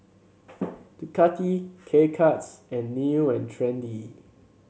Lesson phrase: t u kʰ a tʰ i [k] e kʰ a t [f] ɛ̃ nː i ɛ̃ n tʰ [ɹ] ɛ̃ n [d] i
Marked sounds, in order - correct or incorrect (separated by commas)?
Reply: incorrect, incorrect, correct, correct